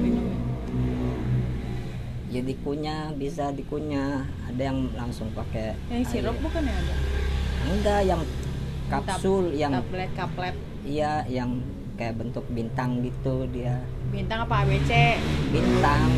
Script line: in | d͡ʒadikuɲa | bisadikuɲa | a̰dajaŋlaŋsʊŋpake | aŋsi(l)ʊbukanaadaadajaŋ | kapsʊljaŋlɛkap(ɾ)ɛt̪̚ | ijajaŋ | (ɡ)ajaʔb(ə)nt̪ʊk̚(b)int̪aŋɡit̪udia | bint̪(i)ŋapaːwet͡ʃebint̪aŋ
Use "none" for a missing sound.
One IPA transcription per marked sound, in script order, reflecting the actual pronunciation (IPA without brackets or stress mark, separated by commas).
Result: ɾ, l, k, ə, b, a